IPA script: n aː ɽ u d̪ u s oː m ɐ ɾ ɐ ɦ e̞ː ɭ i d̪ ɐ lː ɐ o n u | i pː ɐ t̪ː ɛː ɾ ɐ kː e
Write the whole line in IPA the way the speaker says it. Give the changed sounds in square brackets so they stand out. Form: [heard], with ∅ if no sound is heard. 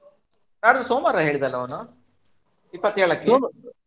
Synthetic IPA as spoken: n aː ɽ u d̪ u s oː m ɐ ɾ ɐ ɦ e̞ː ɭ i d̪ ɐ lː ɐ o n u | i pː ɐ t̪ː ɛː [ɭ] ɐ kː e